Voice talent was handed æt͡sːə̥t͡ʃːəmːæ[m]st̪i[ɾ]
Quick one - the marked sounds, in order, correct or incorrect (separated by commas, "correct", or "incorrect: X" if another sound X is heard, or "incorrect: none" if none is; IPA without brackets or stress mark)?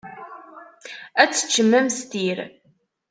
correct, correct